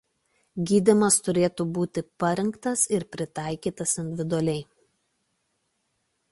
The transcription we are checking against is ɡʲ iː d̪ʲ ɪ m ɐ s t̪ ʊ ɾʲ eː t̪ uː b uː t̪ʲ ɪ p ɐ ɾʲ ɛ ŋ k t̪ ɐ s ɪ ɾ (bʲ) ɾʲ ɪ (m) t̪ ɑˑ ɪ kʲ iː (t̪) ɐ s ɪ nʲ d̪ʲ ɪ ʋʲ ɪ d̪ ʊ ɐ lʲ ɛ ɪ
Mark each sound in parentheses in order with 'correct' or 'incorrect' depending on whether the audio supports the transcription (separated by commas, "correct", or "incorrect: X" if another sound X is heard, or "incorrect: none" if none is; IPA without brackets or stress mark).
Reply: incorrect: pʲ, incorrect: none, correct